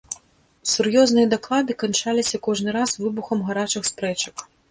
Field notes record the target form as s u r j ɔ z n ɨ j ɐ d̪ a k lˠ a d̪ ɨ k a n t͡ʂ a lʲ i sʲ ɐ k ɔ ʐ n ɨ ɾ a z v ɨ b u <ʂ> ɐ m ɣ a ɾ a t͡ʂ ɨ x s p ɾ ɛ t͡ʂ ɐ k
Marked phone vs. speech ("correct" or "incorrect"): incorrect